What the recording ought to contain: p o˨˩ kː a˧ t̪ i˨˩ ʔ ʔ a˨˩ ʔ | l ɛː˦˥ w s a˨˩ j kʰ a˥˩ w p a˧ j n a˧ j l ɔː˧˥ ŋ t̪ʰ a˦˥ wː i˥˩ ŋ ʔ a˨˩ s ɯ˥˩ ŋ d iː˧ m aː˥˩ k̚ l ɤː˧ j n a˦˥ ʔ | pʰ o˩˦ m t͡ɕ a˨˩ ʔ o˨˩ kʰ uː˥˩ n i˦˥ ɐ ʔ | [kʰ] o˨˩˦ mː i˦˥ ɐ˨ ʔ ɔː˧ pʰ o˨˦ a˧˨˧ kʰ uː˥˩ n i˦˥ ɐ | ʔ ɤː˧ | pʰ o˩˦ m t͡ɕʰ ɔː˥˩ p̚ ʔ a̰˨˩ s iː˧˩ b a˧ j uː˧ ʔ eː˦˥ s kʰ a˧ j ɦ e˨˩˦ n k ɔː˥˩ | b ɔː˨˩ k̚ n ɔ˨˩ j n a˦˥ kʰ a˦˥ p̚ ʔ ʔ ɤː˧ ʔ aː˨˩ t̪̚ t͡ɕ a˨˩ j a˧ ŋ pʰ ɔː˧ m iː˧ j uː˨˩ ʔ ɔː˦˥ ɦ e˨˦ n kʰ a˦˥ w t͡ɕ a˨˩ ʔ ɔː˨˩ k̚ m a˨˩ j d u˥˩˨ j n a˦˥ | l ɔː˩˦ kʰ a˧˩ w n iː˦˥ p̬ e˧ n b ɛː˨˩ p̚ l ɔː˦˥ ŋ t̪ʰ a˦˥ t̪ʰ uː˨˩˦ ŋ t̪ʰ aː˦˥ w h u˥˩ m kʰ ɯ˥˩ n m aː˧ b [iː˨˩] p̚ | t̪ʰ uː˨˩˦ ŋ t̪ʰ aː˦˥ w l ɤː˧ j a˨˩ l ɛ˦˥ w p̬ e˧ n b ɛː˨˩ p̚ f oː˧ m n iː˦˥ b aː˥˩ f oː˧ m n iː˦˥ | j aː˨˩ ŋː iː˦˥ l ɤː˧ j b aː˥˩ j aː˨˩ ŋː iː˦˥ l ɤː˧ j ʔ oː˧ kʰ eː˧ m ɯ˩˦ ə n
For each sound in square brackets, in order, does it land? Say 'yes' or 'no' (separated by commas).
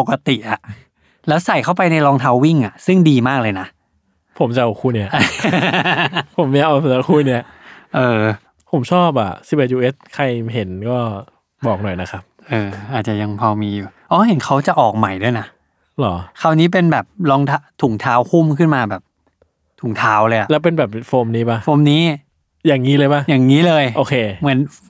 no, no